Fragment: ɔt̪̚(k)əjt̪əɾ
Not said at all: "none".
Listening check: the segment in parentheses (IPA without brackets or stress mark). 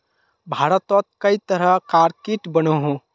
k